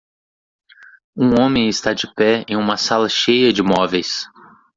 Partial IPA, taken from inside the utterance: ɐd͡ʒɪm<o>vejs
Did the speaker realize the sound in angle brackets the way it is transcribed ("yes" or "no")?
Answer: no